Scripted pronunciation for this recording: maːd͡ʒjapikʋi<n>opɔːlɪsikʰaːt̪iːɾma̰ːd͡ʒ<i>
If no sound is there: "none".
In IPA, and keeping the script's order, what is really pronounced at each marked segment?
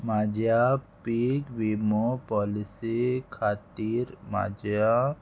m, a

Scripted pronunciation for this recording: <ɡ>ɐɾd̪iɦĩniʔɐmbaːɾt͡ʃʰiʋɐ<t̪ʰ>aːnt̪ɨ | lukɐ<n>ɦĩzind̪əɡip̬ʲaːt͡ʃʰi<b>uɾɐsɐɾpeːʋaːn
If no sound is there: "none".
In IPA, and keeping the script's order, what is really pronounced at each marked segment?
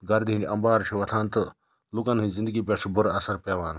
ɡ, t̪ʰ, n, b

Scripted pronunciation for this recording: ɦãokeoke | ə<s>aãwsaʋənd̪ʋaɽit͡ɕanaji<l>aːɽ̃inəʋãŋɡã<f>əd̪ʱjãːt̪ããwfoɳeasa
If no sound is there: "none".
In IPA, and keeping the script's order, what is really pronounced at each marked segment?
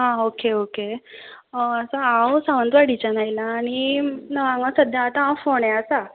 s, l, s

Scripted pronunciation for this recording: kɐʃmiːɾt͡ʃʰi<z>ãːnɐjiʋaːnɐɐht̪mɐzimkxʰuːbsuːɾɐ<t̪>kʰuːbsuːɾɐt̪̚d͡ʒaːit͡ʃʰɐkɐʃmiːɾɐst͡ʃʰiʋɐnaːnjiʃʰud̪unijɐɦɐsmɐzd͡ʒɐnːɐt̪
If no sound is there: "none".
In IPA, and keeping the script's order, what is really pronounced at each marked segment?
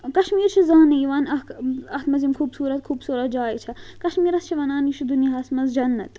z, t̪

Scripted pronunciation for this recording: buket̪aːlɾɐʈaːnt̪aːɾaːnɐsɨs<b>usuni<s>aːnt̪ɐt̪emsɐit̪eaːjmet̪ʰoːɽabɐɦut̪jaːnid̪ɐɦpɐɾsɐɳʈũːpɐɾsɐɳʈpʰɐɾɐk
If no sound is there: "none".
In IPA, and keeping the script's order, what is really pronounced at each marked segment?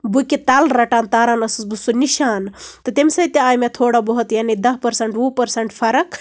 b, ʃ

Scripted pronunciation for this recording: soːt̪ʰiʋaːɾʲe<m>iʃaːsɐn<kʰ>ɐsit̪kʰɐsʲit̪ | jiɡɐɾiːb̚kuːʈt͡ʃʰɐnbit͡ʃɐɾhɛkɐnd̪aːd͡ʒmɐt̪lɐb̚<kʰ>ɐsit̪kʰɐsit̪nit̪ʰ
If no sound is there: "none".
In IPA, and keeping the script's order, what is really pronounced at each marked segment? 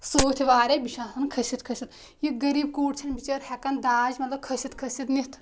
b, kʰ, kʰ

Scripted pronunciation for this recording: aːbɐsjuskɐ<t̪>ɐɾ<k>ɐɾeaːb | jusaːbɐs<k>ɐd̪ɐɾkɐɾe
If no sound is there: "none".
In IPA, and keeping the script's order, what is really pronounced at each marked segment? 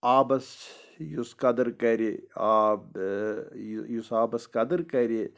d̪, k, k

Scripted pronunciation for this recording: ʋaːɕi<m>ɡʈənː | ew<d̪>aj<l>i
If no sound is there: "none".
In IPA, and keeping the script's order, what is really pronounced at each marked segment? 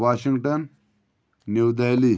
ŋ, d̪, l

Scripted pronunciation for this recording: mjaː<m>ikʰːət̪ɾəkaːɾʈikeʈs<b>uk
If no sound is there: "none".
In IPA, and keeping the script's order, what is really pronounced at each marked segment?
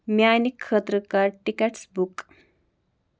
n, b

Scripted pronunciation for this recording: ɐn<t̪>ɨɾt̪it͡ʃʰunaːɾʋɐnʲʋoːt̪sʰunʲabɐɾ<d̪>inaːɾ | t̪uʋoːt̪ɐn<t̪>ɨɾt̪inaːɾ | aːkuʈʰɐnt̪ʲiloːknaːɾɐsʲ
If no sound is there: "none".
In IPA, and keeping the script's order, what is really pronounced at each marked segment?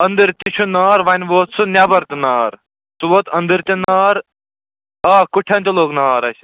d̪, t̪, d̪

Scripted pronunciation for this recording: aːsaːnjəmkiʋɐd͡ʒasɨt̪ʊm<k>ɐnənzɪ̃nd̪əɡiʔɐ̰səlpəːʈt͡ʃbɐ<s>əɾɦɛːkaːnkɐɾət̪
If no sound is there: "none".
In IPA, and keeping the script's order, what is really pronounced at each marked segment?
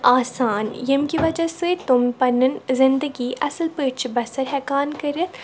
p, s

